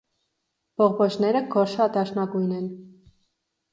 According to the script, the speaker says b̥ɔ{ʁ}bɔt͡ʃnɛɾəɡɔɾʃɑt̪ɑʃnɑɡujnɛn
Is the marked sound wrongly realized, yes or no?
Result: no